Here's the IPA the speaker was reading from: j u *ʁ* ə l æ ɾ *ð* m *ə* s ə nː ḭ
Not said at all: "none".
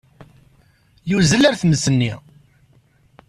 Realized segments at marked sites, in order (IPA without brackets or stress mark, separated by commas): z, θ, ə